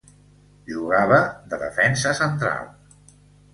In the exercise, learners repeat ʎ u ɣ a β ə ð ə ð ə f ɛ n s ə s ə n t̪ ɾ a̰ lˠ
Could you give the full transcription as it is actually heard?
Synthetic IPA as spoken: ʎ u ɣ a β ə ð ə ð ə f ɛ n s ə s ə n t̪ ɾ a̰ lˠ